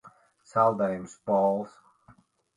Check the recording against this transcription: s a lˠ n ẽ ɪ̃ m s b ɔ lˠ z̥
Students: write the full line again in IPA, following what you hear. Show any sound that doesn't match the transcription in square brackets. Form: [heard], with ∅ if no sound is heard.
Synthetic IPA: s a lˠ [d] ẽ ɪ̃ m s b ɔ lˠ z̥